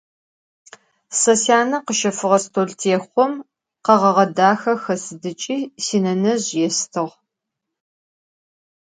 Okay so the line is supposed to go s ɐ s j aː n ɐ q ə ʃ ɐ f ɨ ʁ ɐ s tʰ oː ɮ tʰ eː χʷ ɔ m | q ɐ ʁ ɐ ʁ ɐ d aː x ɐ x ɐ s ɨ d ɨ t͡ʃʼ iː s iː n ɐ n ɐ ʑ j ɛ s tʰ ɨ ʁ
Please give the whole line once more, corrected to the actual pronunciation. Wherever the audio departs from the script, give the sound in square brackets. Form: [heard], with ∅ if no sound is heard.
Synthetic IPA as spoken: s ɐ s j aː n ɐ q ə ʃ ɐ f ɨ ʁ ɐ s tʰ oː ɮ tʰ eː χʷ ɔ m | q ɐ ʁ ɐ ʁ ɐ d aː x ɐ x ɐ s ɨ d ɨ t͡ʃʼ iː s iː n ɐ n ɐ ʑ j ɛ s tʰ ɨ ʁ